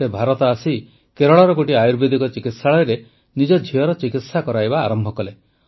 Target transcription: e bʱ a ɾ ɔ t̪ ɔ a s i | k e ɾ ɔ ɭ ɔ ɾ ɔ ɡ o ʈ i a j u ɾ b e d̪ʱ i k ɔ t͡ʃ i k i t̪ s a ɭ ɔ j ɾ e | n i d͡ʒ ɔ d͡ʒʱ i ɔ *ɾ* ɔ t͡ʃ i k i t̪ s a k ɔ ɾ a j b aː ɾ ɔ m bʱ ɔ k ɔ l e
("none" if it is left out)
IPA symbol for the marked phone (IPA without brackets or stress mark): ɾ